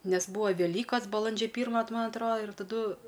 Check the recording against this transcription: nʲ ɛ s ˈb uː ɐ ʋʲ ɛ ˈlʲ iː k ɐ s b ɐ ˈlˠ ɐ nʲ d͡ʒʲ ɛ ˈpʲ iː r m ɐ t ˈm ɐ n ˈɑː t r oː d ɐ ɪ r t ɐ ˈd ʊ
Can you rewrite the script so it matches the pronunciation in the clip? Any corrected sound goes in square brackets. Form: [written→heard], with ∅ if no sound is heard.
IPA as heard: nʲ ɛ s ˈb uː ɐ ʋʲ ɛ ˈlʲ iː k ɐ s b ɐ ˈlˠ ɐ nʲ d͡ʒʲ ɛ ˈpʲ iː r m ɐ t ˈm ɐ n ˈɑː t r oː d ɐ ɪ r t ɐ ˈd ʊ